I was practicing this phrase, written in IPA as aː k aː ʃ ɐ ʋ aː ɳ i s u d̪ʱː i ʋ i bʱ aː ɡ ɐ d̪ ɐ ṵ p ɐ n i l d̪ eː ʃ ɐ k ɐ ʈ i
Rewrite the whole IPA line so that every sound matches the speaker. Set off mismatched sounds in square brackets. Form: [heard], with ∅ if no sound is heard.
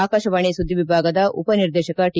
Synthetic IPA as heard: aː k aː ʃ ɐ ʋ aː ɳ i s u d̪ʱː i ʋ i bʱ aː ɡ ɐ d̪ ɐ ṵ p ɐ n i [ɾ] d̪ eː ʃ ɐ k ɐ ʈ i